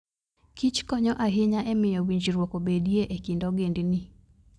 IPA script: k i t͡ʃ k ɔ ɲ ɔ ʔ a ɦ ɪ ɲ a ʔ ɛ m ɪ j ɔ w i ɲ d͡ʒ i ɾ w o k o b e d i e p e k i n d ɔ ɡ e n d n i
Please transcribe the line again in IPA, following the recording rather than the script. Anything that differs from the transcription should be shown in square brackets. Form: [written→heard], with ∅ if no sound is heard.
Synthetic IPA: k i t͡ʃ k ɔ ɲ ɔ ʔ a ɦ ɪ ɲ a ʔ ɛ m ɪ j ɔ w i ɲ d͡ʒ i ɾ w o k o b e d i e [p→ʔ] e k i n d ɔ ɡ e n d n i